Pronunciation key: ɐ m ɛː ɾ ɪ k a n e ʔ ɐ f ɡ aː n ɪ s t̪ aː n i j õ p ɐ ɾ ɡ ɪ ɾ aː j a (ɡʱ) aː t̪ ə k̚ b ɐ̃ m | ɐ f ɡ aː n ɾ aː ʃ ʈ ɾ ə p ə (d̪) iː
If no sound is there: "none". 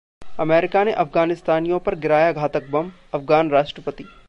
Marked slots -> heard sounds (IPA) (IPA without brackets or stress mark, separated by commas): ɡʱ, t̪